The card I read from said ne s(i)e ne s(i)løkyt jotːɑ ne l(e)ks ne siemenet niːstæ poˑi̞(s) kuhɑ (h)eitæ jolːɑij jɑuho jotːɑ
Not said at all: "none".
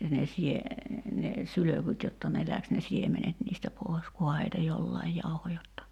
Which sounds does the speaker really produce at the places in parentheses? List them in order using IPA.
i, y, æ, s, h

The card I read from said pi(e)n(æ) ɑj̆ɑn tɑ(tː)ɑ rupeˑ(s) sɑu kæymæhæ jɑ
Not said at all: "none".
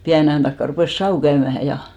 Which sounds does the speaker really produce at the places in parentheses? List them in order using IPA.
æ, e, kː, s

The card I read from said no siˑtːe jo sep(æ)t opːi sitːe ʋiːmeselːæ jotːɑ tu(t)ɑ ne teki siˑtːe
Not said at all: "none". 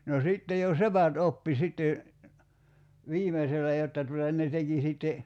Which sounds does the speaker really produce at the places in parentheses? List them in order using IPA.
æ, t

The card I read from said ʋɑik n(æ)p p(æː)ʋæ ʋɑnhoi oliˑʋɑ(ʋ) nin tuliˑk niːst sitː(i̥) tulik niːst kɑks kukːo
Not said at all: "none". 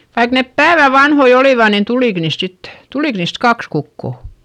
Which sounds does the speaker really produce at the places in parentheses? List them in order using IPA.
e, æː, none, e̥

